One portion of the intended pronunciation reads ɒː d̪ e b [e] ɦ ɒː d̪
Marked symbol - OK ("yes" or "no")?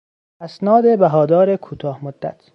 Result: no